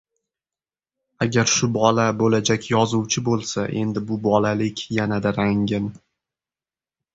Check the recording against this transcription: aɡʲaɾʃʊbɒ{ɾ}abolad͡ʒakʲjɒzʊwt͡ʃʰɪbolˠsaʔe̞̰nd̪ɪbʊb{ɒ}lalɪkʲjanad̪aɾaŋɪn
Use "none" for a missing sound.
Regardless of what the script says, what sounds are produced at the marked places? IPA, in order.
l, ɒ

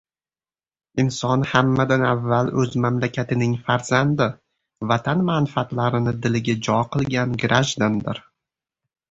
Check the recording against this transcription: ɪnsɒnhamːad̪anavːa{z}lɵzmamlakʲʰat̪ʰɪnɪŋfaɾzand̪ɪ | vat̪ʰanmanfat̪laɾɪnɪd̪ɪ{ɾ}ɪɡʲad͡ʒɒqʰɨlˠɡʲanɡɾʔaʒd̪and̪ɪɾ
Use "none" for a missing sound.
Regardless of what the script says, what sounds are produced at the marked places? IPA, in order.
none, l

